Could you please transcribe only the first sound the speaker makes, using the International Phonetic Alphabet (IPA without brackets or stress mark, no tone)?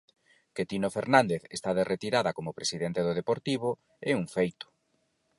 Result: k